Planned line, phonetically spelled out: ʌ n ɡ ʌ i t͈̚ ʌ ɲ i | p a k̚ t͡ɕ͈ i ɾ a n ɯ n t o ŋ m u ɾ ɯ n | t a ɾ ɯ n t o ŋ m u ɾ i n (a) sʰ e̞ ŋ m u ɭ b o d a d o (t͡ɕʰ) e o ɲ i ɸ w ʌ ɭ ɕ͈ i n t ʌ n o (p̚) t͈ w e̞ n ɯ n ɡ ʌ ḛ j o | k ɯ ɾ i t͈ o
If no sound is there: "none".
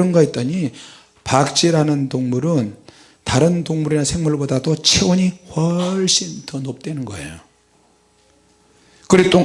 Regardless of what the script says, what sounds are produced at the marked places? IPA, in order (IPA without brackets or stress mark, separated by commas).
a, t͡ɕʰ, p̚